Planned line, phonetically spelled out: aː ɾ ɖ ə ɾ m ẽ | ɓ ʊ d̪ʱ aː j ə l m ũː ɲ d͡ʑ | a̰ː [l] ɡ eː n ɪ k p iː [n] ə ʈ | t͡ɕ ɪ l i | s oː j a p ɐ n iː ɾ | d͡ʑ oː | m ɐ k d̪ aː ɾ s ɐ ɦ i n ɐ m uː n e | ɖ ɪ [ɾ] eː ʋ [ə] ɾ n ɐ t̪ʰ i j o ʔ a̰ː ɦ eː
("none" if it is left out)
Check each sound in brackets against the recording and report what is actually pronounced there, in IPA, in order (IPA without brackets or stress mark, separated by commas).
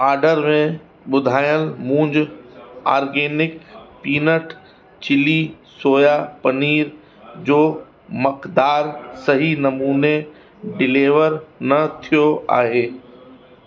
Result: ɾ, n, l, ə